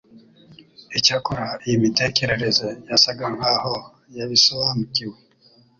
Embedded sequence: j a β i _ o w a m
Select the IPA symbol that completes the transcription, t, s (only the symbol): s